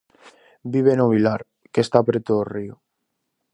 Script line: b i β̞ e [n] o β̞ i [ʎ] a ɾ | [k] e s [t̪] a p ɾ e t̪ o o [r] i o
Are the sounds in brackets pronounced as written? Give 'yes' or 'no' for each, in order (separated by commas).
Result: yes, no, yes, yes, yes